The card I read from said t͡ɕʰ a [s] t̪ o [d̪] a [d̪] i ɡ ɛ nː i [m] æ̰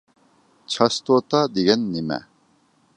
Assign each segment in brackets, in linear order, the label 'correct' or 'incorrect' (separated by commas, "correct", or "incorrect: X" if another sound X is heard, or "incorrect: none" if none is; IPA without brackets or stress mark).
correct, incorrect: t̪, correct, correct